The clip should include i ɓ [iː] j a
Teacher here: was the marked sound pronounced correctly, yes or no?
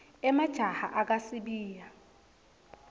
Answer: yes